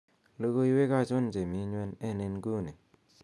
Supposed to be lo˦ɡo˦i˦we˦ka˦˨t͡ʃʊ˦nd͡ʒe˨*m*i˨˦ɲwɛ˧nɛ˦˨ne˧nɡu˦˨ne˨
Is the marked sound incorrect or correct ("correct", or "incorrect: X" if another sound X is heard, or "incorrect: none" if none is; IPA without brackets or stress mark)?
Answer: correct